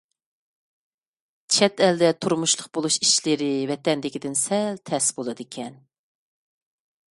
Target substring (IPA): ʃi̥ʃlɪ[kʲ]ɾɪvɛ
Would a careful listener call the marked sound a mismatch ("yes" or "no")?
yes